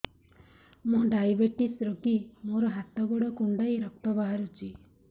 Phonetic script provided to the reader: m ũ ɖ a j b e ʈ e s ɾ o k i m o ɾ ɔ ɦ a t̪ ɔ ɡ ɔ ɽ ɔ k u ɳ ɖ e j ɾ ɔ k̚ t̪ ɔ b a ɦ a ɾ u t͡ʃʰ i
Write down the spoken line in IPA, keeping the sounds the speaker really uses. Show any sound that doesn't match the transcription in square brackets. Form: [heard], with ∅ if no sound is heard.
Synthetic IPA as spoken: m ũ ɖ a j b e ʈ [i] s ɾ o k i m o ɾ ɔ ɦ a t̪ ɔ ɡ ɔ ɽ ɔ k u ɳ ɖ [a] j ɾ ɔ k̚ t̪ ɔ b a ɦ a ɾ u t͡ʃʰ i